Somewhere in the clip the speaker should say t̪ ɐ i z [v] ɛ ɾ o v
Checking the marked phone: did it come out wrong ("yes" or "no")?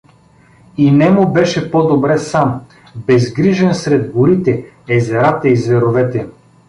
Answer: no